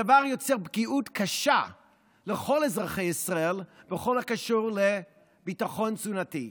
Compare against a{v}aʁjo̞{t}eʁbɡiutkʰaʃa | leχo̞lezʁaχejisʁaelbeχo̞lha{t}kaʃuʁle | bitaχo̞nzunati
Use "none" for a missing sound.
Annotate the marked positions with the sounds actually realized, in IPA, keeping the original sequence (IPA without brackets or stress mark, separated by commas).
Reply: v, t͡s, none